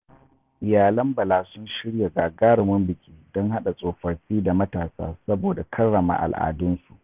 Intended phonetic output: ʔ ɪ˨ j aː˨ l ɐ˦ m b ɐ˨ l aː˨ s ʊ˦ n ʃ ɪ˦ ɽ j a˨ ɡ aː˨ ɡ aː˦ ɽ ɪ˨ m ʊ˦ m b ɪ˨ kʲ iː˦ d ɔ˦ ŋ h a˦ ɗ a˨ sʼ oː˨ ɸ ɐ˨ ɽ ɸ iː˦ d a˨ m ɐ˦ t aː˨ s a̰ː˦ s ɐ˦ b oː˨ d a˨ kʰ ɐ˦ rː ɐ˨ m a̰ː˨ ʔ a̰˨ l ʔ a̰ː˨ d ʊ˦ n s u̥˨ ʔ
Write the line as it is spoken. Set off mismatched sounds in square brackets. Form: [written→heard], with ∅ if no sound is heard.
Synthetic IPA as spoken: ʔ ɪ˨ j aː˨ l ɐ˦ m b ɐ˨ l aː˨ s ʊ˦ n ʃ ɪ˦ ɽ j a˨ ɡ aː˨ ɡ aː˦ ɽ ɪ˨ m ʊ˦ m b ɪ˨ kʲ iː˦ d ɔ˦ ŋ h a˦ ɗ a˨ sʼ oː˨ ɸ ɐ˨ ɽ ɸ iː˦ d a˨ m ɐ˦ t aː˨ s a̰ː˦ s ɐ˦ b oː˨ d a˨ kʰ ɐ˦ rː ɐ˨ m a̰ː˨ ʔ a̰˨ l ʔ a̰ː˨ d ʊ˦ n s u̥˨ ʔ